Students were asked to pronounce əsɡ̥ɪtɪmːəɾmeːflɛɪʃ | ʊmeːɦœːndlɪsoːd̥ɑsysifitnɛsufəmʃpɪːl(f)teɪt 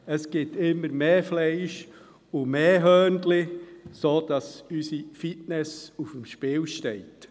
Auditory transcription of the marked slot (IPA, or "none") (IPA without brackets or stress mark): ʃ